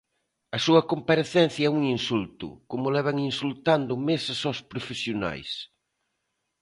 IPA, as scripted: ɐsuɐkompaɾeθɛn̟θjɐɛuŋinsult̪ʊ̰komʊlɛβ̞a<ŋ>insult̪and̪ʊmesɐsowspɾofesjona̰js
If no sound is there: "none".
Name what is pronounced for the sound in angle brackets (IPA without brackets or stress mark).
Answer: ŋ